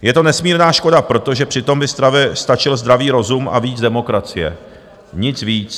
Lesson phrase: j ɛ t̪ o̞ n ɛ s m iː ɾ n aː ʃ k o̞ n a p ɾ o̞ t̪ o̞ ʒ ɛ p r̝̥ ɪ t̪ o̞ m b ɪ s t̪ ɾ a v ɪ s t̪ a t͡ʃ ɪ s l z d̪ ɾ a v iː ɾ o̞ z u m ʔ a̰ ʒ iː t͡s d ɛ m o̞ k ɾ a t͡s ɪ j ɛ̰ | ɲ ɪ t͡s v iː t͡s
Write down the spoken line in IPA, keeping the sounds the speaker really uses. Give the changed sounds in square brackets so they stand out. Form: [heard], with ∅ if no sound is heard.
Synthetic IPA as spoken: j ɛ t̪ o̞ n ɛ s m iː ɾ n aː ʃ k o̞ [d] a p ɾ o̞ t̪ o̞ ʒ ɛ p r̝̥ ɪ t̪ o̞ m b ɪ s t̪ ɾ a v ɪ s t̪ a t͡ʃ ɪ [∅] l z d̪ ɾ a v iː ɾ o̞ z u m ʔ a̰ [v] iː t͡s d ɛ m o̞ k ɾ a t͡s ɪ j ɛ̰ | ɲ ɪ t͡s v iː t͡s

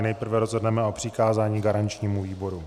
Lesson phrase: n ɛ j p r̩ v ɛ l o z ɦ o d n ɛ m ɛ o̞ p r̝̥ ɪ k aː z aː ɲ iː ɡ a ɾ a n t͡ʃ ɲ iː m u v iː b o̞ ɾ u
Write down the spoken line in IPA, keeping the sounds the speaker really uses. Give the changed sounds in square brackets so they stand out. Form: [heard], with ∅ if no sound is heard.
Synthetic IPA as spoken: n ɛ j p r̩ v ɛ [ɾ] o z ɦ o d n ɛ m ɛ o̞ p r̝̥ ɪ k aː z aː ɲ iː ɡ a ɾ a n t͡ʃ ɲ iː m u v iː b o̞ ɾ u

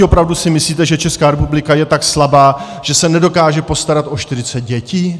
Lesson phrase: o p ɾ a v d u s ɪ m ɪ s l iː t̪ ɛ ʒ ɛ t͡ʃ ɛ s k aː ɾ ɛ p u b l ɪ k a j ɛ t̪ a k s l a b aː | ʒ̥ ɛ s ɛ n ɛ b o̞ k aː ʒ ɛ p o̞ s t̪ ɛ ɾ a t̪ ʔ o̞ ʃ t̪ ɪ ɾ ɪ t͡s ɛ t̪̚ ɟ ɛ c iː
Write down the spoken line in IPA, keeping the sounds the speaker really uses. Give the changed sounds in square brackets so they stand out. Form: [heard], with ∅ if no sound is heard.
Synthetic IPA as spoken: o p ɾ a v d u s ɪ m ɪ s l iː t̪ ɛ ʒ ɛ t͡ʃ ɛ s k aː ɾ ɛ p u b l ɪ k a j ɛ t̪ a k s l a b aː | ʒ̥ ɛ s ɛ n ɛ [d] o̞ k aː ʒ ɛ p o̞ s t̪ [a] ɾ a t̪ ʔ o̞ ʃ t̪ ɪ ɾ ɪ t͡s ɛ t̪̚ ɟ ɛ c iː

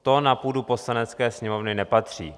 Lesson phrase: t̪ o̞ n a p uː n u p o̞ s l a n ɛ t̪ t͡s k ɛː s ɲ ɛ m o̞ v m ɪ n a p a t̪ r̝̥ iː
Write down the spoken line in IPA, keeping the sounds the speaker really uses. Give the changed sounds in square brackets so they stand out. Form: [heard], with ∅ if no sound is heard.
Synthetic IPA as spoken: t̪ o̞ n a p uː [d] u p o̞ s l a n ɛ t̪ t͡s k ɛː s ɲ ɛ m o̞ v [n] ɪ n [ɛ] p a t̪ r̝̥ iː

